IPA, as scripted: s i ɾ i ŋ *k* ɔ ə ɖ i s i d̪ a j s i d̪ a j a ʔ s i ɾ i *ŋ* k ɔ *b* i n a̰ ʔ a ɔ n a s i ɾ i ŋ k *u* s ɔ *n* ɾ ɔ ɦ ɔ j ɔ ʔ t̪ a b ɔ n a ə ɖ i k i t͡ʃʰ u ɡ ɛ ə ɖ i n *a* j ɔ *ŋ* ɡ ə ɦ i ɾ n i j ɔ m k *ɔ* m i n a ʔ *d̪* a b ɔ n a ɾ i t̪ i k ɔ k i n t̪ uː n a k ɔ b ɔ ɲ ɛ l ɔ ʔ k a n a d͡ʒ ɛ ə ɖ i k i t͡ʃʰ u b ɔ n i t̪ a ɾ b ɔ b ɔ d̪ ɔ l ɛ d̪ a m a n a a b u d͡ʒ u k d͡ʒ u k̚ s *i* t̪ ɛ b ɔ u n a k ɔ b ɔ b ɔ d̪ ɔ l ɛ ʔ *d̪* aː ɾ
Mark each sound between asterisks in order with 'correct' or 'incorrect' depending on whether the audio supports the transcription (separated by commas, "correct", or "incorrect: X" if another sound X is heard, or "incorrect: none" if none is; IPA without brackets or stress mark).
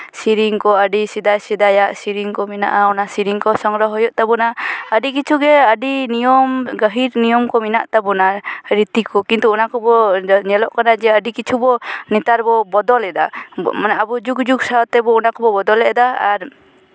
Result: correct, correct, incorrect: m, incorrect: ɔ, incorrect: ŋ, incorrect: i, incorrect: m, correct, incorrect: t̪, incorrect: a, correct